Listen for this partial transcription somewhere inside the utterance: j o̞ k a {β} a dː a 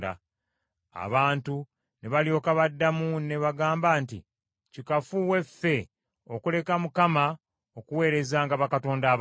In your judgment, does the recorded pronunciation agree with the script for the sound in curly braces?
yes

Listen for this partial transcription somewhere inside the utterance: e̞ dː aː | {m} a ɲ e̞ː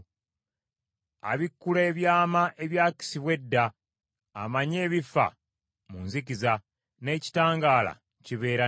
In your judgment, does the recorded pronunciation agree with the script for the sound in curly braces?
yes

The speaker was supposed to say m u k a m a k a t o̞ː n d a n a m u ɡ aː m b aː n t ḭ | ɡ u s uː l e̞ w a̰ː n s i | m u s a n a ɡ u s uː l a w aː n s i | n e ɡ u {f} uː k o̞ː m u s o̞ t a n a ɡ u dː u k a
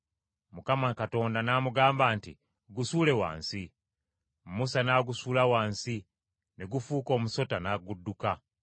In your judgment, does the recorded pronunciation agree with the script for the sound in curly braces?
yes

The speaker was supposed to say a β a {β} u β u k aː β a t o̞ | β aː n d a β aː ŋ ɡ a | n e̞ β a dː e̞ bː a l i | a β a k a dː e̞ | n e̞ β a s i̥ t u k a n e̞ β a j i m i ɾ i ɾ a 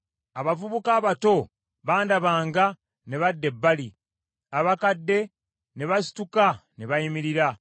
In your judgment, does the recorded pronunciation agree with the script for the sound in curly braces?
no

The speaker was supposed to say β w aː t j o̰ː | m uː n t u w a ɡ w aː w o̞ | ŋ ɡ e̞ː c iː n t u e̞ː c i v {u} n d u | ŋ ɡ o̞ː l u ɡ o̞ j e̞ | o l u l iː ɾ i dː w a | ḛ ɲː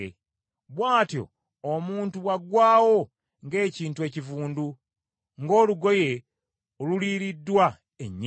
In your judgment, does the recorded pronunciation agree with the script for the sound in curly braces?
no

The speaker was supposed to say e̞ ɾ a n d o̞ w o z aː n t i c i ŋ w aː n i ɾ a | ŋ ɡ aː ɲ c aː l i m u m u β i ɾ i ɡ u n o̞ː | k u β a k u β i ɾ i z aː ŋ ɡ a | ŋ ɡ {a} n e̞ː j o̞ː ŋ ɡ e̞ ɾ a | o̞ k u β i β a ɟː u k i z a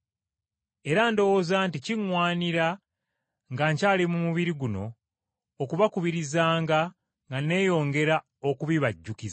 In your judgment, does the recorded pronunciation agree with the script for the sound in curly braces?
yes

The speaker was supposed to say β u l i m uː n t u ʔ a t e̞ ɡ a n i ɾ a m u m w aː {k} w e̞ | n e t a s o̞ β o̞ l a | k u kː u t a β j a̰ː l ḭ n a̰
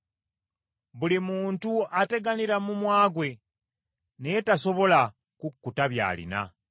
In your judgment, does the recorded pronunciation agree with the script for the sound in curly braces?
no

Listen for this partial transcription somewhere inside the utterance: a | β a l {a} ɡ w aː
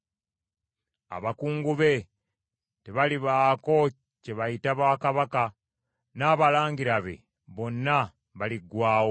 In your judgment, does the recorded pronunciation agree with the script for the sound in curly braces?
no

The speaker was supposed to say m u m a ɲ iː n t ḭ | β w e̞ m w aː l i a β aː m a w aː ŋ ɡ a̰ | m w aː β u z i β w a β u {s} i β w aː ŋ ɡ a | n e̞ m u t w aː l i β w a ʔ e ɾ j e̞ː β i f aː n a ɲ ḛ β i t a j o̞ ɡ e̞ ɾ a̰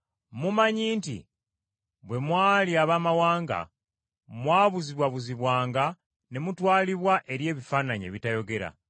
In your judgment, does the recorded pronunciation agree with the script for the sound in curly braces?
no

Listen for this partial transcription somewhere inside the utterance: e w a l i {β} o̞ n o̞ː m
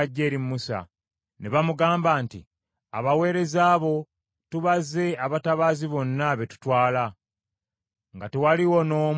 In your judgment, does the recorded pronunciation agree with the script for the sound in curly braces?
no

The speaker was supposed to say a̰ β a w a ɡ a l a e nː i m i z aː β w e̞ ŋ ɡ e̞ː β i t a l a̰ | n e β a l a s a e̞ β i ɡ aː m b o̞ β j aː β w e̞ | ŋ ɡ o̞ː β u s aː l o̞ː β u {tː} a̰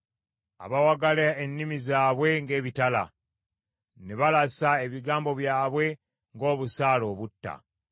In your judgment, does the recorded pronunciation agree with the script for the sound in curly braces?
yes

